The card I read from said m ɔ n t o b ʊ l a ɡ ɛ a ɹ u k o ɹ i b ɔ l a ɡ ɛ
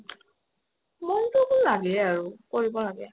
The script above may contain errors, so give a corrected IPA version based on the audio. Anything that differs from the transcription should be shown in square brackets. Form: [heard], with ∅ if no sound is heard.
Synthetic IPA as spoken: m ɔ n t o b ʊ l a ɡ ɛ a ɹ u k o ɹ i b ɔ l a ɡ ɛ